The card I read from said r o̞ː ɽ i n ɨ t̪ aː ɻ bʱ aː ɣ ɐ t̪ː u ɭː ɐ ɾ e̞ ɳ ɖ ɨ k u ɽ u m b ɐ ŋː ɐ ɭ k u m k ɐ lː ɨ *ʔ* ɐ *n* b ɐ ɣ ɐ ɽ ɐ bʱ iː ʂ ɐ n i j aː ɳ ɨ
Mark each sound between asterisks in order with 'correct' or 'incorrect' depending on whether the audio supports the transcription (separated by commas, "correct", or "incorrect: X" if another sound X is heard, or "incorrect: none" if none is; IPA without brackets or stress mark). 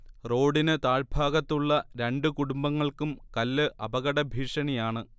correct, incorrect: none